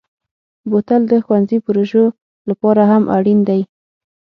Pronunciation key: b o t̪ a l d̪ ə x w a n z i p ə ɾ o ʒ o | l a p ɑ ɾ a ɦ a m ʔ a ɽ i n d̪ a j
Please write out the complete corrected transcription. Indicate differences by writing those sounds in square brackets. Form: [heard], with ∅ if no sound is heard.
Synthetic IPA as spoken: b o t̪ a l d̪ ə x w a n z i p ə ɾ o ʒ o | l a p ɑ ɾ a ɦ a m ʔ a ɽ i n d̪ a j